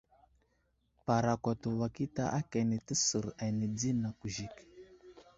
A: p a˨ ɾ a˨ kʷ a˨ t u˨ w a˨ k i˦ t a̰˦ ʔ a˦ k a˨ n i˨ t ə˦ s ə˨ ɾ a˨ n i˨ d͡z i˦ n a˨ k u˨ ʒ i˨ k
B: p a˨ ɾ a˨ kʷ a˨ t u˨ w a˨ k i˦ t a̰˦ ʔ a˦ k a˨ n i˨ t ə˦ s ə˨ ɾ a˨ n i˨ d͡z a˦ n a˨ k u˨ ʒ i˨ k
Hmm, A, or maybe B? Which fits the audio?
A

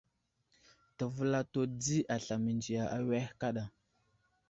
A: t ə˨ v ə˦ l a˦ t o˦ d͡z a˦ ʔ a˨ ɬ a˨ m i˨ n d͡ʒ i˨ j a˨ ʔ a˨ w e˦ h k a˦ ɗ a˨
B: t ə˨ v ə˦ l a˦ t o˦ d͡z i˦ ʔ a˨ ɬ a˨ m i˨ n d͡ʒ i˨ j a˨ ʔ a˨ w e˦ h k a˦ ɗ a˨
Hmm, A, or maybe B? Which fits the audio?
B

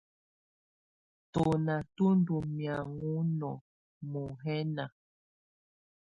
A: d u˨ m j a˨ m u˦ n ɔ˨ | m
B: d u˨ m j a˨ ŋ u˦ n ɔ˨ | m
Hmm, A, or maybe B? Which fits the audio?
B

